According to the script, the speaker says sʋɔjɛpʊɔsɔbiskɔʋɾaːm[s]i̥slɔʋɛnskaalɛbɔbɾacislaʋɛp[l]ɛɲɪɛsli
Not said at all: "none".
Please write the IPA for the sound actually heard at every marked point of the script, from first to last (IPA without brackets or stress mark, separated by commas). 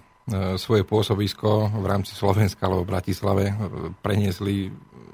t͡s, ɾ